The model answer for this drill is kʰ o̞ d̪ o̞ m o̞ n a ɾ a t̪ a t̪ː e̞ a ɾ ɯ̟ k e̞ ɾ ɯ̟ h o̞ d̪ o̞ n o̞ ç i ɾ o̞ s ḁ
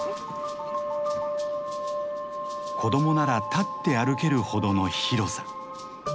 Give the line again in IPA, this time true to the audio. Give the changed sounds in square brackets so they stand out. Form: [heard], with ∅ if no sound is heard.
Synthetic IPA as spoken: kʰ o̞ d̪ o̞ m o̞ n a ɾ a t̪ a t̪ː e̞ a ɾ ɯ̟ k e̞ ɾ ɯ̟ h o̞ d̪ o̞ n o̞ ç i ɾ o̞ s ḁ

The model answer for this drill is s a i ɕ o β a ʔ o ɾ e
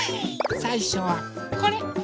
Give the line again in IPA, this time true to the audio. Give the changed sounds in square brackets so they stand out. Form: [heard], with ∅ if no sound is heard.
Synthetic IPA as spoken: s a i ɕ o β a [k] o ɾ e

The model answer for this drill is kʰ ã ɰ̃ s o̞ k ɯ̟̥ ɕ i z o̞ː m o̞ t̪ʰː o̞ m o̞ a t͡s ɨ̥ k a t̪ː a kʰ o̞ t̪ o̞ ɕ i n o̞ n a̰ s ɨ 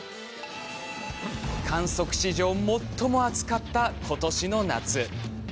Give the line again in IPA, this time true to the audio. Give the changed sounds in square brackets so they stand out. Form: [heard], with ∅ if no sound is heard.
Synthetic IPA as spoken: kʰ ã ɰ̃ s o̞ k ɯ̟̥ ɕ i [ʑ] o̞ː m o̞ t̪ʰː o̞ m o̞ a t͡s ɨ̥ k a t̪ː a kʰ o̞ t̪ o̞ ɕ i n o̞ n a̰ [t͡s] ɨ

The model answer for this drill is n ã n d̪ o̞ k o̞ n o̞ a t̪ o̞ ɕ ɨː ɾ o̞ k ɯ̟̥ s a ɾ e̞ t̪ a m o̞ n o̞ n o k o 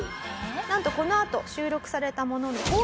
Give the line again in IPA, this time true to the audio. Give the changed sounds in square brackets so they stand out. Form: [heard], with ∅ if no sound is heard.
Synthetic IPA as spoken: n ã n [t̪] o̞ k o̞ n o̞ a t̪ o̞ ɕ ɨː ɾ o̞ k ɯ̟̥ s a ɾ e̞ t̪ a m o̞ n o̞ n o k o

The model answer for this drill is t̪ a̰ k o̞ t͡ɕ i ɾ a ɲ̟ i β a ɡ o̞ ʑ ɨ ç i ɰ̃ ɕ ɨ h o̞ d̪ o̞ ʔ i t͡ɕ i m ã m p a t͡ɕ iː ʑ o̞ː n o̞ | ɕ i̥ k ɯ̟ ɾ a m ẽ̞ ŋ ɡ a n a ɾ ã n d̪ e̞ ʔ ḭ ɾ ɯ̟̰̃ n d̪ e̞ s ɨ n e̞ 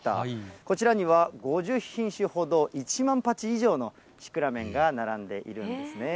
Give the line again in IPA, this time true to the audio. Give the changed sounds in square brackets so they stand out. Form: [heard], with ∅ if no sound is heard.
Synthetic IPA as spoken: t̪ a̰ k o̞ t͡ɕ i ɾ a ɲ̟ i β a ɡ o̞ ʑ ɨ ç [ĩ] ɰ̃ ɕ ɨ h o̞ d̪ o̞ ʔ i t͡ɕ i m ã m p a t͡ɕ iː ʑ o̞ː n o̞ | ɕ i̥ k ɯ̟ ɾ a m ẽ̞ ŋ ɡ a n a ɾ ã n d̪ e̞ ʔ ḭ ɾ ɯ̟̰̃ n d̪ e̞ s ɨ n e̞

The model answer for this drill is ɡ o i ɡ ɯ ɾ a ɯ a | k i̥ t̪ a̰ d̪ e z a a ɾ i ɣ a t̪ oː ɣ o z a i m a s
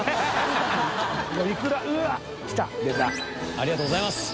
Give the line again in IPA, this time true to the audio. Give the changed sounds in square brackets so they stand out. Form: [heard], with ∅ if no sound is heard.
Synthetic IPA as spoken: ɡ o i [k] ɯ ɾ a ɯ a | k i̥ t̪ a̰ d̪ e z a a ɾ i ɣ a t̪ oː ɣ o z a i m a s

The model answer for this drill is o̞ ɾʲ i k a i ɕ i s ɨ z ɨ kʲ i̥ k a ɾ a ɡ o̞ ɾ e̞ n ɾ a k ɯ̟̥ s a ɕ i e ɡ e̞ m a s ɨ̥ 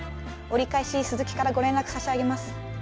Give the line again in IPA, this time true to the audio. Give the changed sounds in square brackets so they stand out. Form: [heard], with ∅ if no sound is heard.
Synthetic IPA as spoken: o̞ ɾʲ i k a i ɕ i s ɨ z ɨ kʲ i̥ k a ɾ a ɡ o̞ ɾ [ẽ̞] n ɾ a k ɯ̟̥ s a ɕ i [a] ɡ e̞ m a s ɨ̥

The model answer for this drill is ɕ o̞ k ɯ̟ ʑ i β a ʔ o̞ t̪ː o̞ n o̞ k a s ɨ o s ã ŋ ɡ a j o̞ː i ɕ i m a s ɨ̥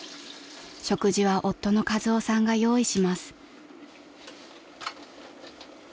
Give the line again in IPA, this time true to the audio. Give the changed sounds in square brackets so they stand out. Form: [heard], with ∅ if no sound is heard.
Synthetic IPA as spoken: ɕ o̞ k ɯ̟ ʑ i β a ʔ o̞ t̪ː o̞ n o̞ k a [z] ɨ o s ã ŋ ɡ a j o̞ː i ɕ i m a s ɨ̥

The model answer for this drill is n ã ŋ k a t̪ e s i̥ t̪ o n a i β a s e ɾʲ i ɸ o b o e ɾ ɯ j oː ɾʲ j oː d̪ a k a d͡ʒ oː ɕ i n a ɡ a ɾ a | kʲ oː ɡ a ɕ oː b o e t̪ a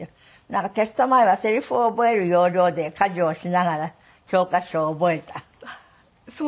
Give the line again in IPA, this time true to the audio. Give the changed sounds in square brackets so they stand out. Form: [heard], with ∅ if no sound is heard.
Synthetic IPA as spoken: n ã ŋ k a t̪ e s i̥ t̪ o [m] a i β a s e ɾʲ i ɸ o b o e ɾ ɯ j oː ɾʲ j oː d̪ [e] k a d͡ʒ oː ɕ i n a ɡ a ɾ a | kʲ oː [k] a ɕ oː b o e t̪ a

